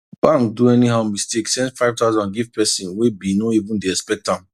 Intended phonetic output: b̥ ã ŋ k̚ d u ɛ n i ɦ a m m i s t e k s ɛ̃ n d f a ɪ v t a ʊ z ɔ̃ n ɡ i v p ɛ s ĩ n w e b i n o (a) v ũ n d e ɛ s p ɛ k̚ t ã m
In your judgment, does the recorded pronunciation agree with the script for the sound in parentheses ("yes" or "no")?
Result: no